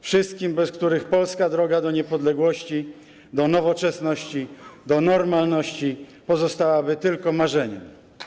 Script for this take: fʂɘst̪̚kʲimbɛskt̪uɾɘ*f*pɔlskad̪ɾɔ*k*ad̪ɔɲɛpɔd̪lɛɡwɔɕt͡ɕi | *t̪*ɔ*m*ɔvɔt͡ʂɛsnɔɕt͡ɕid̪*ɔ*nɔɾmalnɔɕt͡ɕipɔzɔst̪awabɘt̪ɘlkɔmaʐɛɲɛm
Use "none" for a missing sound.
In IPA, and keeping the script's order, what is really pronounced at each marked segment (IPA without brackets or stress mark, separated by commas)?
x, ɡ, d̪, n, ɔ